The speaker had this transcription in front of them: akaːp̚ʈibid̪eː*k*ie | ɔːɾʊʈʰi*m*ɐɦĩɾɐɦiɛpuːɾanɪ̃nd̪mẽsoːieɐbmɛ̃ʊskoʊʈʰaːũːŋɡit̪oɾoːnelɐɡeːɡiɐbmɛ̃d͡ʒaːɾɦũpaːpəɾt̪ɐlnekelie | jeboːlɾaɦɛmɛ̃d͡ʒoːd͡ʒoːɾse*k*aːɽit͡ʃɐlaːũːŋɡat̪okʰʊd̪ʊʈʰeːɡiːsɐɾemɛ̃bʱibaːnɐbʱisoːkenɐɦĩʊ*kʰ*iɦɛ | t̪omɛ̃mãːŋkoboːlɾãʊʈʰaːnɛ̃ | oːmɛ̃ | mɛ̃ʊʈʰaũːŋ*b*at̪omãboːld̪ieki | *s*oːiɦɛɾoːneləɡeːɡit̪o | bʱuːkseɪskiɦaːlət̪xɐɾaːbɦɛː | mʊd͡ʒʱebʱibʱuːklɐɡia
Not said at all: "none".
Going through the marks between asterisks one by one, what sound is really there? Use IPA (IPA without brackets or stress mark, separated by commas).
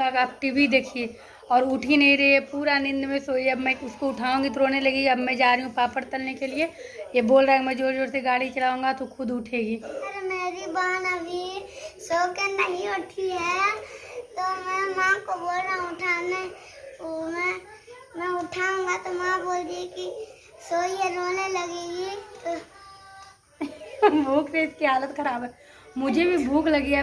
kʰ, n, ɡ, ʈʰ, ɡ, s